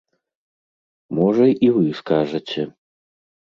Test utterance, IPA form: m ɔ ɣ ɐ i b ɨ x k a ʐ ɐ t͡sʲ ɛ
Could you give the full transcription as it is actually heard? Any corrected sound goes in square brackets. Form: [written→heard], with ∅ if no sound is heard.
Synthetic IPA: m ɔ [ɣ→ʐ] ɐ i [b→v] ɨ [x→s] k a ʐ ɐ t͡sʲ ɛ